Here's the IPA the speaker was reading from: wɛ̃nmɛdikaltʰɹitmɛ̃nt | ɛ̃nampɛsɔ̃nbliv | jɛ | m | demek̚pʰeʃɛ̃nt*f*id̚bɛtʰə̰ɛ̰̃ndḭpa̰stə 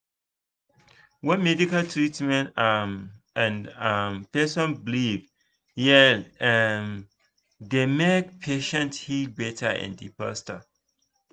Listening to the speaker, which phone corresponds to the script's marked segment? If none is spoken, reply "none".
h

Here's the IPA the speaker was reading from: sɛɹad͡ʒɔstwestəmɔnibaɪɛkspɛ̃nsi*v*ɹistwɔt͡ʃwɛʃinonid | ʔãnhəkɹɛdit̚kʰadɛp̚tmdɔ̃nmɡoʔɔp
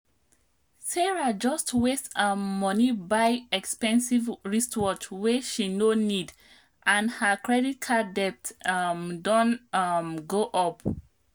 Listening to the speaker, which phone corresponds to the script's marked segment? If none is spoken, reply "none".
v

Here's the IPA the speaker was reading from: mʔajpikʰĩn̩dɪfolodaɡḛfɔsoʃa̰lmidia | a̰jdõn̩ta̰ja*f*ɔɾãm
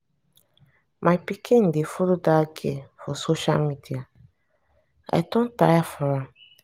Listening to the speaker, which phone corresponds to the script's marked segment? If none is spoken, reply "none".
f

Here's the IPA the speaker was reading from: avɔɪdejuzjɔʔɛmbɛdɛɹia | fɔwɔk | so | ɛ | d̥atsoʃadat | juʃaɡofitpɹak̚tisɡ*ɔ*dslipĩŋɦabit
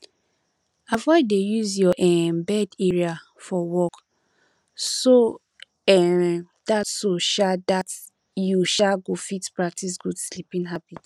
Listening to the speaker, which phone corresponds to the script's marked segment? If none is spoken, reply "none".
u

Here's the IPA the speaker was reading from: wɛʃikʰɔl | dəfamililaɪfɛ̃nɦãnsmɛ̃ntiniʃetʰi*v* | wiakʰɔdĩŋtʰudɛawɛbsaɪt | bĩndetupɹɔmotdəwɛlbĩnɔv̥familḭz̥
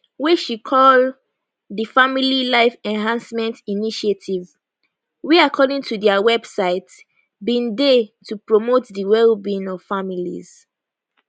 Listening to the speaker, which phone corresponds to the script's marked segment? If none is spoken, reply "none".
v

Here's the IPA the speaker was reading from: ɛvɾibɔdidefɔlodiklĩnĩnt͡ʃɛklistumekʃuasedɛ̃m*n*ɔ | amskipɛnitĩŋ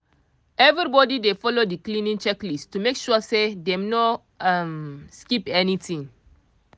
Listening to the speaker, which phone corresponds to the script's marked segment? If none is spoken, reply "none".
n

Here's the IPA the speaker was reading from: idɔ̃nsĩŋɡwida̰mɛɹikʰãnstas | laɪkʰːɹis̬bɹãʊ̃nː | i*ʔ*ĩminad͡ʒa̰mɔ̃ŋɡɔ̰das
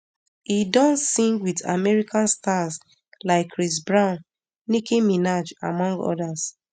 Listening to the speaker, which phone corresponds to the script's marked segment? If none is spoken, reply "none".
k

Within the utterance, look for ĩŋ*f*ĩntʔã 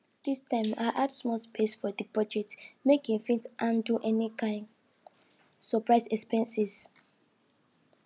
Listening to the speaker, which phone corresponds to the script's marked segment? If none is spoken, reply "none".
f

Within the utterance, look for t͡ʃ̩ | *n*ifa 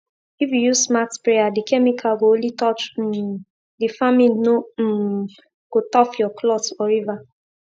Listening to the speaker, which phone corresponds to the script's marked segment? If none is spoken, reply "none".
d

